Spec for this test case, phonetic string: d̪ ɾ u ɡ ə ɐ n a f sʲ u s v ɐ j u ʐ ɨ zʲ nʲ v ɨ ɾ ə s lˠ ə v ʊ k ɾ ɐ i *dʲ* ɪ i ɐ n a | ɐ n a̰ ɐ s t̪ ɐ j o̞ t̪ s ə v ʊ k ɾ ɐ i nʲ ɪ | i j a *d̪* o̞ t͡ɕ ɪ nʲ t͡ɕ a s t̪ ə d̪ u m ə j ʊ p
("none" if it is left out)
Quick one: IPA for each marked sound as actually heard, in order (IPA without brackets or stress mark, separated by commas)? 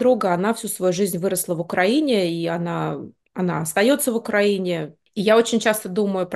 nʲ, none